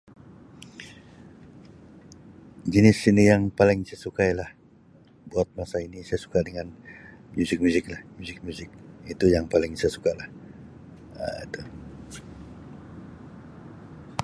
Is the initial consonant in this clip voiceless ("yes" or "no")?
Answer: no